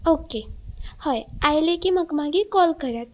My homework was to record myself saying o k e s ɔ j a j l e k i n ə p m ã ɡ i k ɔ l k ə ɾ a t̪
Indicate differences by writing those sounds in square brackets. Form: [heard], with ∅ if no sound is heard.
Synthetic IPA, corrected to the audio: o k e [h] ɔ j a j l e k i [m] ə [k] m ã ɡ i k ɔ l k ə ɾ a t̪